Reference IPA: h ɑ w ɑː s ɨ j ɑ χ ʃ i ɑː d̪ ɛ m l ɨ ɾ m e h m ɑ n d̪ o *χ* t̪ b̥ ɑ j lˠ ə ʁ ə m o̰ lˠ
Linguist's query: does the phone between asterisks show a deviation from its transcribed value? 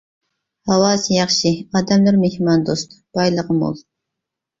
yes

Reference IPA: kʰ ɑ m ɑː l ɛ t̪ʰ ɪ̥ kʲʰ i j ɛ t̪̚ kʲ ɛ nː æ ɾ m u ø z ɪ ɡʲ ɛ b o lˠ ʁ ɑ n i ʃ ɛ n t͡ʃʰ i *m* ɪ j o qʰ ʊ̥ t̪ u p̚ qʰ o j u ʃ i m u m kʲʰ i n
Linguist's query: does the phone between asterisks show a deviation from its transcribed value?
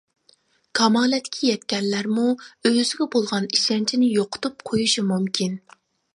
yes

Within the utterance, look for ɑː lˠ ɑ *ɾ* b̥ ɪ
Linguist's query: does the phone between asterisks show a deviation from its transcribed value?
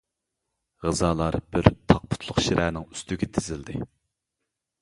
no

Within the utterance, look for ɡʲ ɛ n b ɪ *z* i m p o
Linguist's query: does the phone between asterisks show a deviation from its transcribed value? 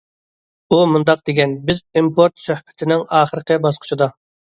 no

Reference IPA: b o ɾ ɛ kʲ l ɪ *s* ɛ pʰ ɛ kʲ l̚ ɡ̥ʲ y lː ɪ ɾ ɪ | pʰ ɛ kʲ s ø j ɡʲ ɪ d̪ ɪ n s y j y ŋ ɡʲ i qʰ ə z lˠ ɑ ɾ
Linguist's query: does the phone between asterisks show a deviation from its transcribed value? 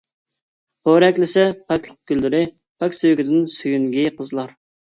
no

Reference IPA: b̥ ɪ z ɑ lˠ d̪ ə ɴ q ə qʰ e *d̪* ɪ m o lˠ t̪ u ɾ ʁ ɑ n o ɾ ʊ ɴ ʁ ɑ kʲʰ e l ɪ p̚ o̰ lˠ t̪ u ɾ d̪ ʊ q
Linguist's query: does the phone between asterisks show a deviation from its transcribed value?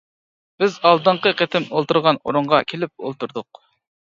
yes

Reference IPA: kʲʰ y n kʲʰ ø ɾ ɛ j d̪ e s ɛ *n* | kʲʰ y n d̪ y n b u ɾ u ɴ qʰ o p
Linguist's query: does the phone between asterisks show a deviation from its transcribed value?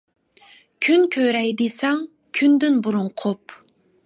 yes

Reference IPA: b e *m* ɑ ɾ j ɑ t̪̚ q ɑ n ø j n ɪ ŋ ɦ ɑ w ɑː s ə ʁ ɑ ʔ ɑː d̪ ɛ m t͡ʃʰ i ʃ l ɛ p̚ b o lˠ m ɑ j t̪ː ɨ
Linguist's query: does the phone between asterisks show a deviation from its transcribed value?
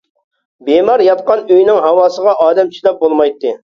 no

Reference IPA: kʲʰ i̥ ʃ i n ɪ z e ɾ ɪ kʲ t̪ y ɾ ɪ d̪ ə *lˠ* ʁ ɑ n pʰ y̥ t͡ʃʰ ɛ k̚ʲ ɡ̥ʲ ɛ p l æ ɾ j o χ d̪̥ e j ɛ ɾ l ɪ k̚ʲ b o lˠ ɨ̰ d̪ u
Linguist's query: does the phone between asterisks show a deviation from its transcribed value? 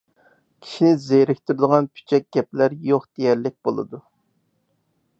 yes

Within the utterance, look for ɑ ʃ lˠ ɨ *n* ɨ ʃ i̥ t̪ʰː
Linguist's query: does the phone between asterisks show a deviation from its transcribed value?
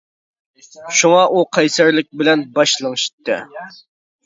yes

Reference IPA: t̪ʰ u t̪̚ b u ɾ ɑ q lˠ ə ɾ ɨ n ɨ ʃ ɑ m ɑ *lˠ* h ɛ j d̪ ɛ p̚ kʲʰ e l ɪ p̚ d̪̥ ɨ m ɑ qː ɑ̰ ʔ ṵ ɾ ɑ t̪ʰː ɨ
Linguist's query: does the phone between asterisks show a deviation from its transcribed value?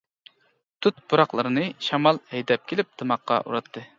no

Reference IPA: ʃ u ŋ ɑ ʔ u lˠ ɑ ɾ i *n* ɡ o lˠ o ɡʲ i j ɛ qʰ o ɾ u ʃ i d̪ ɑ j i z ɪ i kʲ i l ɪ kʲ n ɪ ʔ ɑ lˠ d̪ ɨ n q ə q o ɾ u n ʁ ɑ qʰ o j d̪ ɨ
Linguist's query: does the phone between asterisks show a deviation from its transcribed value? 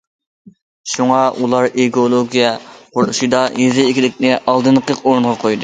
yes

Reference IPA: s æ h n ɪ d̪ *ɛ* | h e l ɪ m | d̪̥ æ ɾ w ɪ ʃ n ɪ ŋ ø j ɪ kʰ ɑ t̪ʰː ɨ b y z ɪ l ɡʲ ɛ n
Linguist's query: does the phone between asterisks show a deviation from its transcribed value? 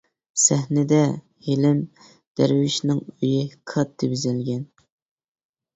no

